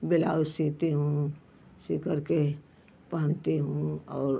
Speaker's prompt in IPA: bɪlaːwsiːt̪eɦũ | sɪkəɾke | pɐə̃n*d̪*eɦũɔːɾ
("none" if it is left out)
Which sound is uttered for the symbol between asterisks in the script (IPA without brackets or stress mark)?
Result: t̪